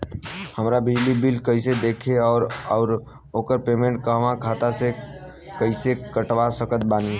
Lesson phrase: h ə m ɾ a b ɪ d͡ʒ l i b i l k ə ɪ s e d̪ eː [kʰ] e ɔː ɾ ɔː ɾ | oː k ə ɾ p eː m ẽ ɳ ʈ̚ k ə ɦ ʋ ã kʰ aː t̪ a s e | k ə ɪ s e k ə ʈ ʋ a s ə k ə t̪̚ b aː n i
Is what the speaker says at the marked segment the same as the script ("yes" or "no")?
yes